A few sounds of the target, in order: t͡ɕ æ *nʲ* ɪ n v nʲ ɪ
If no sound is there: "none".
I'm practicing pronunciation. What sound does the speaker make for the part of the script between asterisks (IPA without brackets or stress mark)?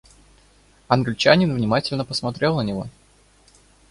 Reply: nʲ